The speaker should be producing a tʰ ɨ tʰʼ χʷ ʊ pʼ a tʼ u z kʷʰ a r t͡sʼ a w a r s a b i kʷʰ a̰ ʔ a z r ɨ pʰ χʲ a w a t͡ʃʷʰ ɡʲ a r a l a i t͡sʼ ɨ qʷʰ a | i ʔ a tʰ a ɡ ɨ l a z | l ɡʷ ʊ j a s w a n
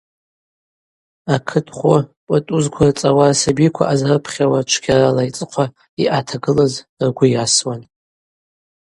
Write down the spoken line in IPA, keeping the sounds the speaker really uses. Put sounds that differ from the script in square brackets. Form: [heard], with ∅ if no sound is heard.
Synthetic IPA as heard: a [kʰ] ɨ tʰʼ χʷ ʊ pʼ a tʼ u z kʷʰ a r t͡sʼ a w a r s a b i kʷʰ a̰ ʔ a z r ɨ pʰ χʲ a w a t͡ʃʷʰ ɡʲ a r a l a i t͡sʼ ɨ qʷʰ a | i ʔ a tʰ a ɡ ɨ l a z | [r] ɡʷ ʊ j a s w a n